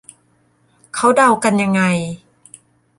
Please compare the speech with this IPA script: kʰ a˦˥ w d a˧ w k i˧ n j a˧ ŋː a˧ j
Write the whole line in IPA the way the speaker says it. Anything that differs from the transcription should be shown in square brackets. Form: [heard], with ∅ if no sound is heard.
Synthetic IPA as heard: kʰ a˦˥ w d a˧ w k [a˧] n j a˧ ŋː a˧ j